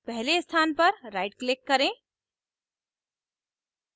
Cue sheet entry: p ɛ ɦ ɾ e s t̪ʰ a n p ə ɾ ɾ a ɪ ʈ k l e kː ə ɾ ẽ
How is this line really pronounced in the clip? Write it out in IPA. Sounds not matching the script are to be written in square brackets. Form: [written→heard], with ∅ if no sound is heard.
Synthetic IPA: p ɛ ɦ [ɾ→l] e s t̪ʰ a n p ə ɾ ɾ a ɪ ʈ k l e kː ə ɾ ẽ